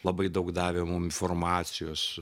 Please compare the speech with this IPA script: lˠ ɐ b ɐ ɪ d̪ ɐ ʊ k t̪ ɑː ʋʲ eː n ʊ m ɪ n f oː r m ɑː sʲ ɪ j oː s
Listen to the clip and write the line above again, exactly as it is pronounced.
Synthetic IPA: lˠ ɐ b ɐ ɪ d̪ ɐ ʊ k d̪ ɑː ʋʲ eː m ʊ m ɪ n f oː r m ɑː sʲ ɪ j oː s